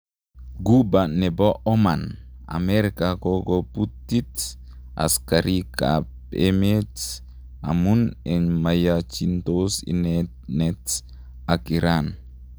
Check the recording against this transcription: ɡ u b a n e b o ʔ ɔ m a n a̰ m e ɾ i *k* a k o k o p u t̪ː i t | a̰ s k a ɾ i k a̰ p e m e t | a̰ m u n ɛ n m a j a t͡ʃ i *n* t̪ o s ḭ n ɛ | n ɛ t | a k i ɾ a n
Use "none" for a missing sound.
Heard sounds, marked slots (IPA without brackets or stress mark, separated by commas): k, n